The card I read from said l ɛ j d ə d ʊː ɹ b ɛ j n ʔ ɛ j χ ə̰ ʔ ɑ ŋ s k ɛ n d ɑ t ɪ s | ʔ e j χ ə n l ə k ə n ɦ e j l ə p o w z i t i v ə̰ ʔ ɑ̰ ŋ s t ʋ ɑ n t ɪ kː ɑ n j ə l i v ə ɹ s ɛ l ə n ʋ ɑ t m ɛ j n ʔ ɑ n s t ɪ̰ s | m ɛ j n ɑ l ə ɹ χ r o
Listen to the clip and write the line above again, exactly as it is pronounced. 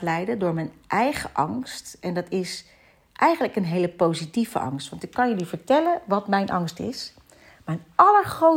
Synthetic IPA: l ɛ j d ə d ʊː ɹ m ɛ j n ʔ ɛ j χ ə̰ ʔ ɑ ŋ s t ɛ n d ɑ t ɪ s | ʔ ɛ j χ ə n l ə k ə n ɦ e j l ə p o w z i t i v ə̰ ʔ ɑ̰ ŋ s t ʋ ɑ n t ɪ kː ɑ n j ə l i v ə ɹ t ɛ l ə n ʋ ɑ t m ɛ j n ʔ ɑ ŋ s t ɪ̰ s | m ɛ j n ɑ l ə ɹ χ r o